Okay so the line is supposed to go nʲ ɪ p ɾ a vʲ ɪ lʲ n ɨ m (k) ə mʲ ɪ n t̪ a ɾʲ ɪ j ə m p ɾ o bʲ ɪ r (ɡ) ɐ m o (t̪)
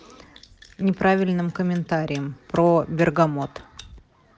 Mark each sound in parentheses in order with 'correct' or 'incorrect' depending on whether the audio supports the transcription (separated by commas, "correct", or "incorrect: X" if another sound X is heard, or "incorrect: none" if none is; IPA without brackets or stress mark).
correct, correct, correct